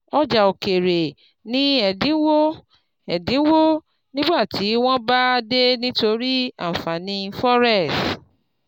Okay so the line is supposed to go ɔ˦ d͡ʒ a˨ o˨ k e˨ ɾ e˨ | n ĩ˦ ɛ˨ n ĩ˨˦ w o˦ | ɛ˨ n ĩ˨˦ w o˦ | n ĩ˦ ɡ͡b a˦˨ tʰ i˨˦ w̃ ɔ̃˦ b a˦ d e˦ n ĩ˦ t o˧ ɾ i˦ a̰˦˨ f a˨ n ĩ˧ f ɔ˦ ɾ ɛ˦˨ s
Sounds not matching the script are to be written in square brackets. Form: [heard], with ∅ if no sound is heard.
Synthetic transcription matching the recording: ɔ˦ d͡ʒ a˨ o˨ k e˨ ɾ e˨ | n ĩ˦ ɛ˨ [d] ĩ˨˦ w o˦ | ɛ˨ [d] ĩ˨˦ w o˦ | n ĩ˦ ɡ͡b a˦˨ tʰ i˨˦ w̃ ɔ̃˦ b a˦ d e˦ n ĩ˦ t o˧ ɾ i˦ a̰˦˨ f a˨ n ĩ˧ f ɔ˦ ɾ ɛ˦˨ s